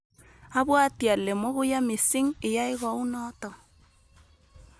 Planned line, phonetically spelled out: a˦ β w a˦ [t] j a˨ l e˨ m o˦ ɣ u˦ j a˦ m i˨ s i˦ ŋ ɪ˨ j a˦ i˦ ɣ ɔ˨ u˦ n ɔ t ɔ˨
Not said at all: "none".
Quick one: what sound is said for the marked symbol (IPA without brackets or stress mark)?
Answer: t